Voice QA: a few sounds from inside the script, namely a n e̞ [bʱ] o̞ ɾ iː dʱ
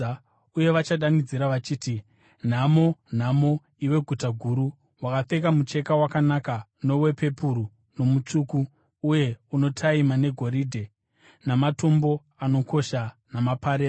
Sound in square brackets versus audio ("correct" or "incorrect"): incorrect